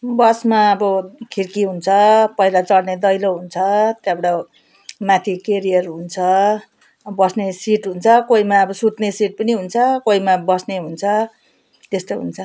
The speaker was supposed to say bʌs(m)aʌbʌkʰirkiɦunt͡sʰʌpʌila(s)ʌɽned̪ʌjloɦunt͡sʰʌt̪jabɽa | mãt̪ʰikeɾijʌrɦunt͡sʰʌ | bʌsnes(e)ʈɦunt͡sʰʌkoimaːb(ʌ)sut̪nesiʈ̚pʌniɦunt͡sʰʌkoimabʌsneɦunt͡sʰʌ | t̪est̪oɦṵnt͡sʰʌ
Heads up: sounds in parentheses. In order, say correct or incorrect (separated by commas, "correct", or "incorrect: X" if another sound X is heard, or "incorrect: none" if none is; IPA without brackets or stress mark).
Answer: correct, incorrect: t͡s, incorrect: i, correct